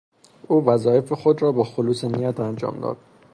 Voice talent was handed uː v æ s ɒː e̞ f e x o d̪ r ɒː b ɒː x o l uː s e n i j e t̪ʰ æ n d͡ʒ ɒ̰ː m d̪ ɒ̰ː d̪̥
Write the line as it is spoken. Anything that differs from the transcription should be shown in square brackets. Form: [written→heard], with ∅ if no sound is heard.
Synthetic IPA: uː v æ [s→z] ɒː e̞ f e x o d̪ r ɒː b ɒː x o l uː s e n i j [e→æ] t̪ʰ æ n d͡ʒ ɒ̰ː m d̪ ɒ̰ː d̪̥